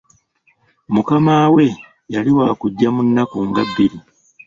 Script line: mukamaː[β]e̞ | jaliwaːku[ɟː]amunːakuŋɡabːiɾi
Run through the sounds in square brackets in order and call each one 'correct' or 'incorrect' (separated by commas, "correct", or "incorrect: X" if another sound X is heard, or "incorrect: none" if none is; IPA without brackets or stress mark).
incorrect: w, correct